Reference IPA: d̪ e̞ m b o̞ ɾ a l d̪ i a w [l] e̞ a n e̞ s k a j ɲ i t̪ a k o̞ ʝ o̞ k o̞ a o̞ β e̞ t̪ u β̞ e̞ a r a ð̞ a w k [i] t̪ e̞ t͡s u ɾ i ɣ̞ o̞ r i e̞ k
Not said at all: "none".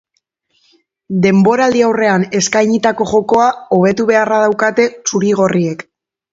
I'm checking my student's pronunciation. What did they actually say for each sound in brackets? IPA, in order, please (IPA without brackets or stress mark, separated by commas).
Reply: r, a